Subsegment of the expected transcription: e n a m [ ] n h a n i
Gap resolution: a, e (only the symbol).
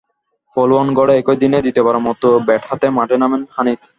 e